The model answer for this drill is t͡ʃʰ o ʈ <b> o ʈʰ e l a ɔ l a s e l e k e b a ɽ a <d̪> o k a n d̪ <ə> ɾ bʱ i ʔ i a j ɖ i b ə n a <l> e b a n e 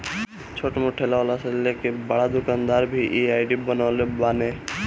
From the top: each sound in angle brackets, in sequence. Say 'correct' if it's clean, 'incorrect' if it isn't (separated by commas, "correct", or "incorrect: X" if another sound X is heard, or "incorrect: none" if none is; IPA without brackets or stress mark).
incorrect: m, correct, incorrect: a, correct